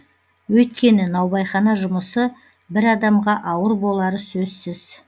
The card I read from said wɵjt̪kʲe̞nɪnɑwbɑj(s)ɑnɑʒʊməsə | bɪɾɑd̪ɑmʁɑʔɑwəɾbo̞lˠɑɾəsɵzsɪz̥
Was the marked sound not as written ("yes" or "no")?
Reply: yes